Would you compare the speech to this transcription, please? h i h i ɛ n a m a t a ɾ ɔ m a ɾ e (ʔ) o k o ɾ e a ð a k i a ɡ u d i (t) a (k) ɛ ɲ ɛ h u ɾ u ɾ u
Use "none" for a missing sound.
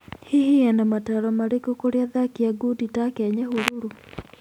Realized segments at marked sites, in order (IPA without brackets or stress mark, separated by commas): k, t, k